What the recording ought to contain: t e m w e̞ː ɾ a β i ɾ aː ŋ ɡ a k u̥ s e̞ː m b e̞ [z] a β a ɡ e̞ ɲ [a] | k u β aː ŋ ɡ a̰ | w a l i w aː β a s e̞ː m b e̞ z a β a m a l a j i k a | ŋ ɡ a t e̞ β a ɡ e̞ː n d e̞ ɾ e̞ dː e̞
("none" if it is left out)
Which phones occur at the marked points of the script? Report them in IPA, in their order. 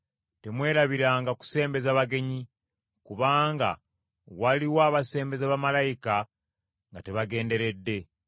z, i

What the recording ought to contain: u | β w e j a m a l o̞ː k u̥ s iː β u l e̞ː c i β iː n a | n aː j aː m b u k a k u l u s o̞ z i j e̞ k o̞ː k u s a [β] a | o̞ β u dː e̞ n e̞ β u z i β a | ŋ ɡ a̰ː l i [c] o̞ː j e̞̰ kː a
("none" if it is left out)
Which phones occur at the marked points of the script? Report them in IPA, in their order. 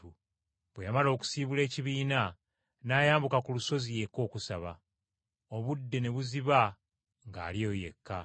β, none

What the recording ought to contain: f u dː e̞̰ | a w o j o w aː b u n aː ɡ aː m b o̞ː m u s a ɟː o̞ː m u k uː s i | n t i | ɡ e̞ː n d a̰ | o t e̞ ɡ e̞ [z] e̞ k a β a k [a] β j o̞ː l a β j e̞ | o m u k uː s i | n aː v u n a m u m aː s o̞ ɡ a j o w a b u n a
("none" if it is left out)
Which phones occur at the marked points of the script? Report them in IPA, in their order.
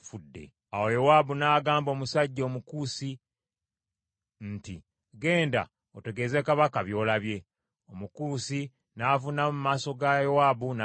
z, a

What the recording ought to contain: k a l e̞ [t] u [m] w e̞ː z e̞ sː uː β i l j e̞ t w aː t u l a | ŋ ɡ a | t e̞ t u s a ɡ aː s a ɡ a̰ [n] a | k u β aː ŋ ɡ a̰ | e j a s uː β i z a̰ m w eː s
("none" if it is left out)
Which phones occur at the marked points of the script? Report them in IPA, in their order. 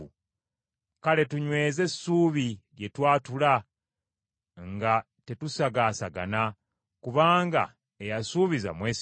t, ɲ, n

